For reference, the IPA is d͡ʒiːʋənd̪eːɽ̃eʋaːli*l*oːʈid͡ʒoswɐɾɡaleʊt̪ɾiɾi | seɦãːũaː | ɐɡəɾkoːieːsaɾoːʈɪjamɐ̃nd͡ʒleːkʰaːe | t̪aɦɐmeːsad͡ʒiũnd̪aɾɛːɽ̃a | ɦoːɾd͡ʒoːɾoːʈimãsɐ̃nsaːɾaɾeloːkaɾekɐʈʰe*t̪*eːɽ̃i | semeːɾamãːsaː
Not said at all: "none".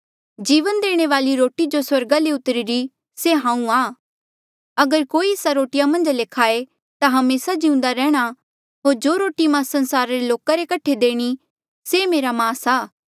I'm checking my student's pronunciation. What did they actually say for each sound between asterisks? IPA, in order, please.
ɾ, d̪

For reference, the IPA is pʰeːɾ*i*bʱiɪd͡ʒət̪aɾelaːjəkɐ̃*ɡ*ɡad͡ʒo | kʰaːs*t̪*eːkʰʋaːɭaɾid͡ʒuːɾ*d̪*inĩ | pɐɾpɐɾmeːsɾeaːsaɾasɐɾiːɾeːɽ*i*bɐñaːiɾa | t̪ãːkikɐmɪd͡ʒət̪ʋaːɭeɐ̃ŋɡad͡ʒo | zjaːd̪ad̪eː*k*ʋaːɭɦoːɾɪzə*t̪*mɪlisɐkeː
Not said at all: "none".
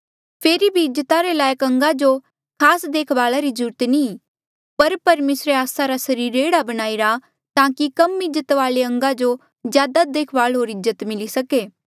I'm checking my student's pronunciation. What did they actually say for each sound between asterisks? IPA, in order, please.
i, ŋ, d̪, t̪, a, kʰ, t̪

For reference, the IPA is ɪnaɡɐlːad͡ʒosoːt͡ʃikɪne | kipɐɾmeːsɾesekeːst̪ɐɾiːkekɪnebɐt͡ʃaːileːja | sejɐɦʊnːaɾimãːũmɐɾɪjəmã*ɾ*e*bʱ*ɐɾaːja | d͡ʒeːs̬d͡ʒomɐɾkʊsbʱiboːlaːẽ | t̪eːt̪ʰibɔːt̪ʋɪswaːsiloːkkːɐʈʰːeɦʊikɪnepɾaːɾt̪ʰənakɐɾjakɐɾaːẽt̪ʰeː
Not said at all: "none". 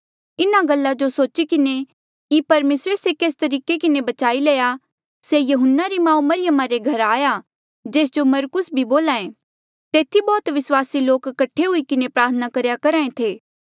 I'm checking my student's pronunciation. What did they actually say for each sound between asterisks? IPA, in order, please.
ɾ, ɡʱ

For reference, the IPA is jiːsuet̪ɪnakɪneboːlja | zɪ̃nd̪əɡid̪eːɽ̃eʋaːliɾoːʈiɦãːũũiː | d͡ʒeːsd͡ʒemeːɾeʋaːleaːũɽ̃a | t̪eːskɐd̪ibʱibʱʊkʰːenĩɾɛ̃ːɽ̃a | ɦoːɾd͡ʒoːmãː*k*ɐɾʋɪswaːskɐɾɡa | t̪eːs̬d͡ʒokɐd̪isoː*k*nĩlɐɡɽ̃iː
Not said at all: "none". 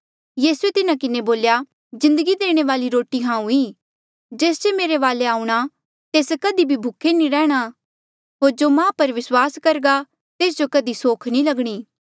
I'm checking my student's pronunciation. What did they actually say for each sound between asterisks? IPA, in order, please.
p, kʰ

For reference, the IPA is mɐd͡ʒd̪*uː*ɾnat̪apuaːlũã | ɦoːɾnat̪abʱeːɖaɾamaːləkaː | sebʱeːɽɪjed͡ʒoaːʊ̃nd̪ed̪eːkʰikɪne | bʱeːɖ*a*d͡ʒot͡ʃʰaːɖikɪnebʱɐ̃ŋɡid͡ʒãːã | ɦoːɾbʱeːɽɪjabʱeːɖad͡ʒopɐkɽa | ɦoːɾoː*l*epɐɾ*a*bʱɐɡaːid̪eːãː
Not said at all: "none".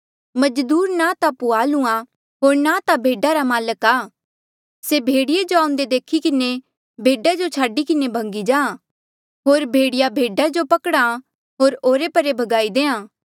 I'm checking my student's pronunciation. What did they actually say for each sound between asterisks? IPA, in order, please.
uː, a, ɾ, e

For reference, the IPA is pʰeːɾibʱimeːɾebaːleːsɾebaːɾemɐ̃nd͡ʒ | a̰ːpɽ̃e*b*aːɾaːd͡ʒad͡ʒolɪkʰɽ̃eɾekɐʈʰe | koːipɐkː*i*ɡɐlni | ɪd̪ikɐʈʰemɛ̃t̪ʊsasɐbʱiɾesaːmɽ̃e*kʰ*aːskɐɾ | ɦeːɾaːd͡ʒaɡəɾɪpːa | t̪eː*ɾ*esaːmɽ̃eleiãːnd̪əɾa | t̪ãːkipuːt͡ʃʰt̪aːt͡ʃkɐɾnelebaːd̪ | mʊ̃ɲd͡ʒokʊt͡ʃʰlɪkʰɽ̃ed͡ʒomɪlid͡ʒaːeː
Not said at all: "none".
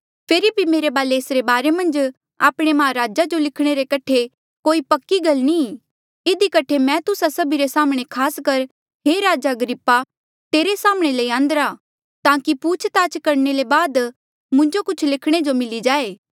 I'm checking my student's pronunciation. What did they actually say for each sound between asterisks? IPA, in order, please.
m, i, kʰ, ɾ

